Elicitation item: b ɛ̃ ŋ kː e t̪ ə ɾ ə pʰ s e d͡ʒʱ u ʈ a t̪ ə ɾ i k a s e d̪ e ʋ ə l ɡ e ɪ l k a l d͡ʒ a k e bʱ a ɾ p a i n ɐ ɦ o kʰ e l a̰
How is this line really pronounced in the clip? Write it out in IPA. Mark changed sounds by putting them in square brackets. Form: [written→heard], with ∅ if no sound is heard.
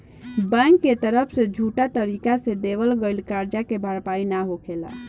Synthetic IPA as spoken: b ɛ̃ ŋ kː e t̪ ə ɾ ə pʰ s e d͡ʒʱ u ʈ a t̪ ə ɾ i k a s e d̪ e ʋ ə l ɡ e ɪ l k a [l→ɾ] d͡ʒ a k e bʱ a ɾ p a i n [ɐ→a] ɦ o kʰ e l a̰